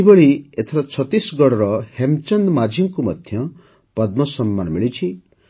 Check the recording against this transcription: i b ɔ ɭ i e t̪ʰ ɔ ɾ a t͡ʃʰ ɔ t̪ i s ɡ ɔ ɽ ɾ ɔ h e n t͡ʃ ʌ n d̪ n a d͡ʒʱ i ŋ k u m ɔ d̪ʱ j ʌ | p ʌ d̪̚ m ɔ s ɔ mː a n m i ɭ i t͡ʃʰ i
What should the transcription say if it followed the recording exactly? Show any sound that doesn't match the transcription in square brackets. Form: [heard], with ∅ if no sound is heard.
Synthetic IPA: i b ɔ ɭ i e t̪ʰ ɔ ɾ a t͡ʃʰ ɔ t̪ i s ɡ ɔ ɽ ɾ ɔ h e [m] t͡ʃ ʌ n d̪ [m] a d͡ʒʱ i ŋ k u m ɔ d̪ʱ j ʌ | p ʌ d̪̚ m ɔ s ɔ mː a n m i ɭ i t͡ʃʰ i